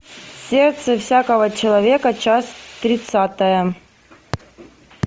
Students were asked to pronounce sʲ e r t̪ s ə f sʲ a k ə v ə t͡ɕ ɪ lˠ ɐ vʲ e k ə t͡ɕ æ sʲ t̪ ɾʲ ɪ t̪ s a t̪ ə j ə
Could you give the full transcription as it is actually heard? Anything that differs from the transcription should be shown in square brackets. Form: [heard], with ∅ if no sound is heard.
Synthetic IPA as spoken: sʲ e r t̪ s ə f sʲ a k ə v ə t͡ɕ ɪ lˠ ɐ vʲ e k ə t͡ɕ [a] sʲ t̪ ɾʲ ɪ t̪ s a t̪ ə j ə